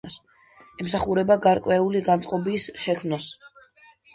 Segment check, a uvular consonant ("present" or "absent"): present